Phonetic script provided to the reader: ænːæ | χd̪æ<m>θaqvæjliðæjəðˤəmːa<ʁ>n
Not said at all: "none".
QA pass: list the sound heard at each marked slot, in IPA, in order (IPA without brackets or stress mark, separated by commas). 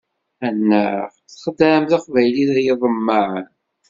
m, ʕ